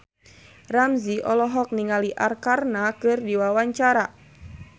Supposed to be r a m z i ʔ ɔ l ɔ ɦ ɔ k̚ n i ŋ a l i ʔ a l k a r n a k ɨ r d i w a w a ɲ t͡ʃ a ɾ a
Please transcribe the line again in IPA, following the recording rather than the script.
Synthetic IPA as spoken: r a m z i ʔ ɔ l ɔ ɦ ɔ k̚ n i ŋ a l i ʔ a r k a r n a k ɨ r d i w a w a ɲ t͡ʃ a ɾ a

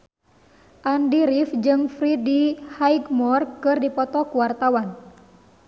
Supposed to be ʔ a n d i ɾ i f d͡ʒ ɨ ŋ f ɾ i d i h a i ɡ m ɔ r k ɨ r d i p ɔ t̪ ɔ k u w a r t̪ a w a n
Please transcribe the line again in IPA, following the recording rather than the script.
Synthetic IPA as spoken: ʔ a n d i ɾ i f d͡ʒ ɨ ŋ f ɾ i d i h a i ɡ m ɔ r k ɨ r d i p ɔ t̪ ɔ k u w a r t̪ a w a n

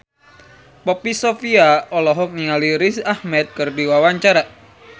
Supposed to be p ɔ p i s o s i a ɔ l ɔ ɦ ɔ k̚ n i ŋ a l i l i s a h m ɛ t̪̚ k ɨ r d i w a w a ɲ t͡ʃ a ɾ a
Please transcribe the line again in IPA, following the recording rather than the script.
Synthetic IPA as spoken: p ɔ p i s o f i a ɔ l ɔ ɦ ɔ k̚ n i ŋ a l i ɾ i s a h m ɛ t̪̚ k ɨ r d i w a w a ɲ t͡ʃ a ɾ a

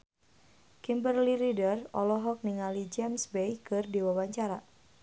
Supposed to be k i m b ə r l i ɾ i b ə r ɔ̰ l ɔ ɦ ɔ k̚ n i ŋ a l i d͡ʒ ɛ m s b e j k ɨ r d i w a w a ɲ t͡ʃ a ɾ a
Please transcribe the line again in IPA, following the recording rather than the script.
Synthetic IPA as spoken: k i m b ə r l i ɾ i d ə r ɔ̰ l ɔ ɦ ɔ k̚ n i ŋ a l i d͡ʒ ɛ m s b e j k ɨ r d i w a w a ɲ t͡ʃ a ɾ a

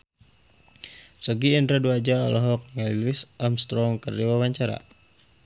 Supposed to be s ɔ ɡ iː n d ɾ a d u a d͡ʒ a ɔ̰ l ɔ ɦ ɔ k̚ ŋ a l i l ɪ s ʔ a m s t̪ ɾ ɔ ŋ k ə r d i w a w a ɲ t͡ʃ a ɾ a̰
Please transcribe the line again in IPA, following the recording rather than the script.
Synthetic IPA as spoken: s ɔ ɡ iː n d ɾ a d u a d͡ʒ a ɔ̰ l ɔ ɦ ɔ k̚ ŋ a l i l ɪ s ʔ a m s t̪ ɾ ɔ ŋ k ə r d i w a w a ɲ t͡ʃ a ɾ a̰

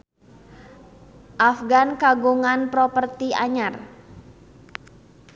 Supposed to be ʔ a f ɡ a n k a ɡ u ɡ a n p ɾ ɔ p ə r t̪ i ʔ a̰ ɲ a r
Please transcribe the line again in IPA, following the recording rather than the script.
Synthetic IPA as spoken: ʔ a f ɡ a n k a ɡ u ŋ a n p ɾ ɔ p ə r t̪ i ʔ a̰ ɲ a r

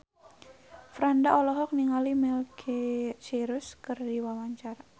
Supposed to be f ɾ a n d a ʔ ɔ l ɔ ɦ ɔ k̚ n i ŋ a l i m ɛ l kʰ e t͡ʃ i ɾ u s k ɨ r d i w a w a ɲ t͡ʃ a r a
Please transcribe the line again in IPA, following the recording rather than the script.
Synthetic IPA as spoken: f ɾ a n d a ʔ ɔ l ɔ ɦ ɔ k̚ n i ŋ a l i m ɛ l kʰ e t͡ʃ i ɾ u s k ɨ r d i w a w a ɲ t͡ʃ a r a

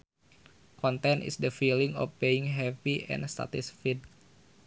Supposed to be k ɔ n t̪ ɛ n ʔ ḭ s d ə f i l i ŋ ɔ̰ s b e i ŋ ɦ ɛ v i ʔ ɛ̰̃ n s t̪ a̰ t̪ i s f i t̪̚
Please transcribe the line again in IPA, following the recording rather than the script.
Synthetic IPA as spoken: k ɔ n t̪ ɛ n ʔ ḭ s d ə f i l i ŋ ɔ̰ f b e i ŋ ɦ ɛ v i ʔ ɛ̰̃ n s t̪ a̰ t̪ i s f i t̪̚

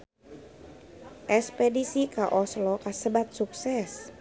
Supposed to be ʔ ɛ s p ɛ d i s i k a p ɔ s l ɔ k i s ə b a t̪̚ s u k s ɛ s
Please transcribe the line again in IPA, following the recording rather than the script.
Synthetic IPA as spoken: ʔ ɛ s p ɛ d i s i k a ʔ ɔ s l ɔ k a s ə b a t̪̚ s u k s ɛ s

